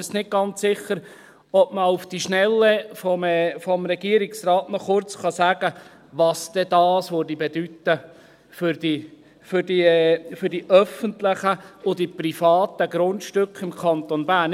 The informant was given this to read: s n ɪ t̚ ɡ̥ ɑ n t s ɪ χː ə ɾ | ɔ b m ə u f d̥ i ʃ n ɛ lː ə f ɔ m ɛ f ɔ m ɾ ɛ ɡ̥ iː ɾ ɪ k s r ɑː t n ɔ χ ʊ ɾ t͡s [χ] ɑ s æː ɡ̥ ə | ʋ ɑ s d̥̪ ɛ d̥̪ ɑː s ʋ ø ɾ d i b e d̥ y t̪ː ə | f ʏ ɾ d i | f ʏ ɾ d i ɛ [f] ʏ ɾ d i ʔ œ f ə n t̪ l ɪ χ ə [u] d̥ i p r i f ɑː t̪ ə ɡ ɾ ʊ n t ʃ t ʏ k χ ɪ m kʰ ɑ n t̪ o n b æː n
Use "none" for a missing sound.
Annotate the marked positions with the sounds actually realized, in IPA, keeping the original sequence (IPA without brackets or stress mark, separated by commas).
χ, f, ʊ